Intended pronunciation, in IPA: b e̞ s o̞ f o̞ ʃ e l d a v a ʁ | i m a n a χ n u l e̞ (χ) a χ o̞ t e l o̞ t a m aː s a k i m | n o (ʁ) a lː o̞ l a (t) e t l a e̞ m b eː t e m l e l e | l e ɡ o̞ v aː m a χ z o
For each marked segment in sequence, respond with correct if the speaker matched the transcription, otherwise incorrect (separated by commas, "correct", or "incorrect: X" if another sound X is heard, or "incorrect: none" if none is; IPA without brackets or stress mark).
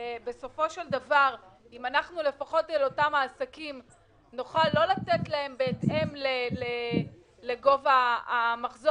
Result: incorrect: f, incorrect: χ, correct